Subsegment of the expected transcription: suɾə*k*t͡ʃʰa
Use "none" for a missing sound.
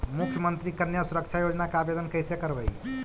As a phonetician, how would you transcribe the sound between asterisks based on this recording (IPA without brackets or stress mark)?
k